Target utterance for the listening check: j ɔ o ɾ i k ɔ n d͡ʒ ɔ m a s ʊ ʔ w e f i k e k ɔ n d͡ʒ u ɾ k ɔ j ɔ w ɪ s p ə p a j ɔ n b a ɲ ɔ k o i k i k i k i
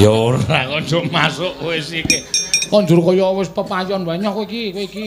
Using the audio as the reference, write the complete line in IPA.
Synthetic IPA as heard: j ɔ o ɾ a k ɔ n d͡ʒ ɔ m a s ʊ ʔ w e s i k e k ɔ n d͡ʒ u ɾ k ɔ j ɔ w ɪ s p ə p a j ɔ n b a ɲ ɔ k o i k i k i k i